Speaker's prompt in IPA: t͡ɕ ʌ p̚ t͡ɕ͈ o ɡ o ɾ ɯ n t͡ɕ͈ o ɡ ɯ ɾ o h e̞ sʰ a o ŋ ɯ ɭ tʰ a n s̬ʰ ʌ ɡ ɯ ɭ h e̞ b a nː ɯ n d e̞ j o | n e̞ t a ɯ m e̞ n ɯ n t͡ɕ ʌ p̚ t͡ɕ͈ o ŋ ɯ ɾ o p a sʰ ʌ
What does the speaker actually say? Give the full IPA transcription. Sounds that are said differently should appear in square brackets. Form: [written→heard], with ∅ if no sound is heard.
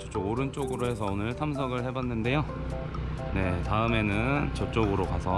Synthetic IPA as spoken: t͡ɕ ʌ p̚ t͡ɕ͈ o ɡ o ɾ ɯ n t͡ɕ͈ o ɡ ɯ ɾ o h e̞ sʰ [a→ʌ] o [ŋ→n] ɯ ɭ tʰ a [n→m] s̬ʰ ʌ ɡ ɯ ɭ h e̞ b a nː ɯ n d e̞ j o | n e̞ t a ɯ m e̞ n ɯ n t͡ɕ ʌ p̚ t͡ɕ͈ o [ŋ→ɡ] ɯ ɾ o [p→k] a sʰ ʌ